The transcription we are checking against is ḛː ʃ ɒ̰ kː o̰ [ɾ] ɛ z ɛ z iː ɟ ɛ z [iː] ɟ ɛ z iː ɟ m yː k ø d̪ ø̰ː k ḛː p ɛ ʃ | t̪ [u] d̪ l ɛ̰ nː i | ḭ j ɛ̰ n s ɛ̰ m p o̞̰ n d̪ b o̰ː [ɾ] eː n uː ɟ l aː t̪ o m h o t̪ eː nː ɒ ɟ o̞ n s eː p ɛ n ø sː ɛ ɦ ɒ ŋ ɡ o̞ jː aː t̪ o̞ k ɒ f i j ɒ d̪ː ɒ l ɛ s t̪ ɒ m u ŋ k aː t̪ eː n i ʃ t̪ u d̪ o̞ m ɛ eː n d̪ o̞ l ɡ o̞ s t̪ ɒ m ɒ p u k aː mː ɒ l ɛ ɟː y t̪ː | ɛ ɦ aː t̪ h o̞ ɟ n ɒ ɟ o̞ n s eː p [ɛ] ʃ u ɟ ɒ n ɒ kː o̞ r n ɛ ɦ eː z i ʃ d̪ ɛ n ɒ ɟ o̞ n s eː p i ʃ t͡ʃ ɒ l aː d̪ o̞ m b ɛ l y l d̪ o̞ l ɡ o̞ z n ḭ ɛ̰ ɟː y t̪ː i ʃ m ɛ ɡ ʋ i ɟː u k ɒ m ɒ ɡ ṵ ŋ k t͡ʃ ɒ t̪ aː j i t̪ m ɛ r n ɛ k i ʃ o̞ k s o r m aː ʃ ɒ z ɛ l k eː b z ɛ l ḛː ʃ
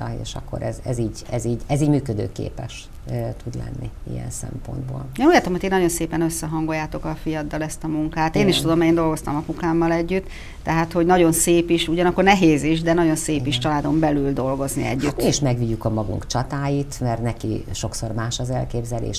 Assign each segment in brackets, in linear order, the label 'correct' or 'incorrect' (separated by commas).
correct, correct, correct, incorrect, incorrect